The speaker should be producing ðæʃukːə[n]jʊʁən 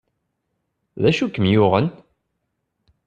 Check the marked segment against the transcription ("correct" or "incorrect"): incorrect